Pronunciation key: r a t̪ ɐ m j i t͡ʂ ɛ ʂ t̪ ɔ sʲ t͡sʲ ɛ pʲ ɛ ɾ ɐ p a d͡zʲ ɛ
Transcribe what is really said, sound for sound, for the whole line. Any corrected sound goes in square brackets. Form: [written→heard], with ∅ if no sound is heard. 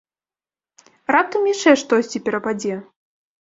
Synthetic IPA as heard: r a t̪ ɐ m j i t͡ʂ ɛ ʂ t̪ ɔ sʲ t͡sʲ [ɛ→i] pʲ ɛ ɾ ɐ p a d͡zʲ ɛ